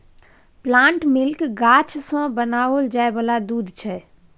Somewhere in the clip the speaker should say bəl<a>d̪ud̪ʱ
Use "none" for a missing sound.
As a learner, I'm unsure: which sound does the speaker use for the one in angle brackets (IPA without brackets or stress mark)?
a